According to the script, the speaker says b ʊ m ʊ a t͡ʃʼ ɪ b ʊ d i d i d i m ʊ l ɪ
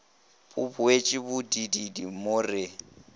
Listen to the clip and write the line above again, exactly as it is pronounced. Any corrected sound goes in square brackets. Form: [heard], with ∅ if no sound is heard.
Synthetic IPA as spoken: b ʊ [b] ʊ [e] t͡ʃʼ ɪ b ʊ d i d i d i m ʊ [r] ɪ